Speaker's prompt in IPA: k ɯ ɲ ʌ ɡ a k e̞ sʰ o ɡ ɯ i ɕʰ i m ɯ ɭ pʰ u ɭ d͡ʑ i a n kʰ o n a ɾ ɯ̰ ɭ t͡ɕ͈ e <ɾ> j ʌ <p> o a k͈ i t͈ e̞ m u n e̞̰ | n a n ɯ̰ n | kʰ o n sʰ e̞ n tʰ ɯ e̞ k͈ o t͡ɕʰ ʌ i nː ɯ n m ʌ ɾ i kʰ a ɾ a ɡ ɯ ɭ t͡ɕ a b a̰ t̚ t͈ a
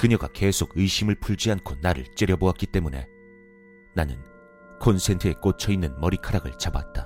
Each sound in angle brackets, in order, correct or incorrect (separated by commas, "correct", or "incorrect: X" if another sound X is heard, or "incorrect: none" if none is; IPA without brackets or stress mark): correct, incorrect: b